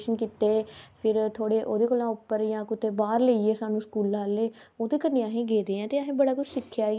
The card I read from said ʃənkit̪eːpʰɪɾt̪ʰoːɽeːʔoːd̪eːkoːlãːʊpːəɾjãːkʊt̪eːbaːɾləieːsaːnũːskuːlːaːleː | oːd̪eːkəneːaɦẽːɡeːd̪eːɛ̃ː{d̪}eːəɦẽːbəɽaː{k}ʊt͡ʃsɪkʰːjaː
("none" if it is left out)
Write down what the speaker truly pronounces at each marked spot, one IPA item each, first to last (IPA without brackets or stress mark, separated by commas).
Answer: t̪, k